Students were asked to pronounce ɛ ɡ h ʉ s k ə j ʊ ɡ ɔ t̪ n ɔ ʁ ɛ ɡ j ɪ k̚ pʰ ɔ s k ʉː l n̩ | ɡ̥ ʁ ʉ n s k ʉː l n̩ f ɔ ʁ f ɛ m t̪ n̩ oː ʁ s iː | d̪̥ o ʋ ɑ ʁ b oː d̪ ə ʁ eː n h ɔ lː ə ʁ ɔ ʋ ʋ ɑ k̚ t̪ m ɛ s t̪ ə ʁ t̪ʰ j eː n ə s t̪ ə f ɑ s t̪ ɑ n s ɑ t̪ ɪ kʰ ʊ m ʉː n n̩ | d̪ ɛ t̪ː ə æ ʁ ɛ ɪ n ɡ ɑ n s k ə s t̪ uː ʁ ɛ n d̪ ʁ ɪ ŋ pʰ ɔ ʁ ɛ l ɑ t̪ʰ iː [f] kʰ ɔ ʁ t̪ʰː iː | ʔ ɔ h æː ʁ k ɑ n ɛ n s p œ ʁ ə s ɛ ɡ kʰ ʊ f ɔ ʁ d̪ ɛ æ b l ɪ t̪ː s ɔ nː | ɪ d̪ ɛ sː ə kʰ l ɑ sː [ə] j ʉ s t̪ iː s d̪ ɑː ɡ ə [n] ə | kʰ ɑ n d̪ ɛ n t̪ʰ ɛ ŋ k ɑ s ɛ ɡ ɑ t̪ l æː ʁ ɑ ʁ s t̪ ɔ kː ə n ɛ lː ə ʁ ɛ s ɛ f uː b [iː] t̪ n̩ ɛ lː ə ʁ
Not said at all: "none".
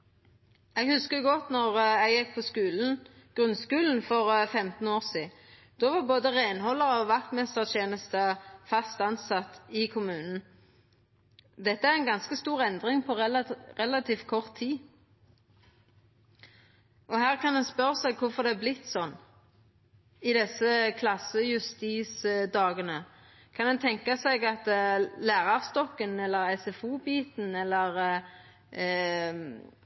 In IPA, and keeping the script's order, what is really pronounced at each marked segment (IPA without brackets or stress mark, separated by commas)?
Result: f, ə, n, iː